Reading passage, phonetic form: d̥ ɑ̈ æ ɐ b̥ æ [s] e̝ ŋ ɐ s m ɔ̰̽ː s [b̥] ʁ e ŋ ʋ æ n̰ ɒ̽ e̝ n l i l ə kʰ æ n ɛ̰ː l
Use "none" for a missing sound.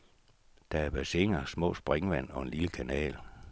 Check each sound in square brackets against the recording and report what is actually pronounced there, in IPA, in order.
s, b̥

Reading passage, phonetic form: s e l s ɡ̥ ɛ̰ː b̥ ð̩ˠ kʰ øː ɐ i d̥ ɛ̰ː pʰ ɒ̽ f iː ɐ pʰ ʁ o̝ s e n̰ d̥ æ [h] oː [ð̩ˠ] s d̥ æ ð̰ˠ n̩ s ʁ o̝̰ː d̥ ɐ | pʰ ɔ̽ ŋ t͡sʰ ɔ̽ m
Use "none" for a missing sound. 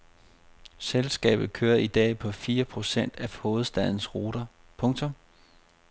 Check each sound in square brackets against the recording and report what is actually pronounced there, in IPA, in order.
h, ð̩ˠ

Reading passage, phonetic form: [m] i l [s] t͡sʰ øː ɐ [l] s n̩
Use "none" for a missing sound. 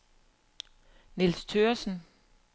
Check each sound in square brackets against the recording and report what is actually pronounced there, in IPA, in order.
n, s, none

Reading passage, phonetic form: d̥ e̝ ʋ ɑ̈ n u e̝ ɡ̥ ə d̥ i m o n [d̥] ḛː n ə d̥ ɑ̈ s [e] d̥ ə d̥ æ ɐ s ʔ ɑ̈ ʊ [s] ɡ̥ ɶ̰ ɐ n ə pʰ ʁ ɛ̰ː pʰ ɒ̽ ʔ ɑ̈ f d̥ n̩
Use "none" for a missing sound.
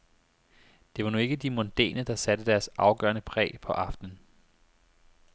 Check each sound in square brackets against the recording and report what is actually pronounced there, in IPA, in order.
d̥, æ, none

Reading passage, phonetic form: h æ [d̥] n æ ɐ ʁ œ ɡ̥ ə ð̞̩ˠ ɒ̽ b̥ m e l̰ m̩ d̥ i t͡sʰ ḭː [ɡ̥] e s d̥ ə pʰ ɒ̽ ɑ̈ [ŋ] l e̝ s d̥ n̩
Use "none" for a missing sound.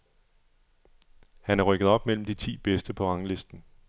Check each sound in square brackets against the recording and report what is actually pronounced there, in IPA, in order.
none, b̥, ŋ

